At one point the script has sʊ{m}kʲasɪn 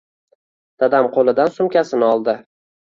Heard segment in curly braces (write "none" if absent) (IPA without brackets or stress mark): m